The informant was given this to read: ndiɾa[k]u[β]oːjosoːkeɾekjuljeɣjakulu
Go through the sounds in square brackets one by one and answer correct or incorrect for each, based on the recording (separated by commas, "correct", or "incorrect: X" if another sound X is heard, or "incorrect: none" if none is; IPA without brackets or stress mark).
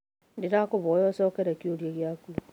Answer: correct, correct